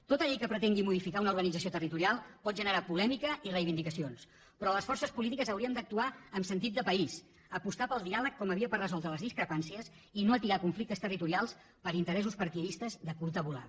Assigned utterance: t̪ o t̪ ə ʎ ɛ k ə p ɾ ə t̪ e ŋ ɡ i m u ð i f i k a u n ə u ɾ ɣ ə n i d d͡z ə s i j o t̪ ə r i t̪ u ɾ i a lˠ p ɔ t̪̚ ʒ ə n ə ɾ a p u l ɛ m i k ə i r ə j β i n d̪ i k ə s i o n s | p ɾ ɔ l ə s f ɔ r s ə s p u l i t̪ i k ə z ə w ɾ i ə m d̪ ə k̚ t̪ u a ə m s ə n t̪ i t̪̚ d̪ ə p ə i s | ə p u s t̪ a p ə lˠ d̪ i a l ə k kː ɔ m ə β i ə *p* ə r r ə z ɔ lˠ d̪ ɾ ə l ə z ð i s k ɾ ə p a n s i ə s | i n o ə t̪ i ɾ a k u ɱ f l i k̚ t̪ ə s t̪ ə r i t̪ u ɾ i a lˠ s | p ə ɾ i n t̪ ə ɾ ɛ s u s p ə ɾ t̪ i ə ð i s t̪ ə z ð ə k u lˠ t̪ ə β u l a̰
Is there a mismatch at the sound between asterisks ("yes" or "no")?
no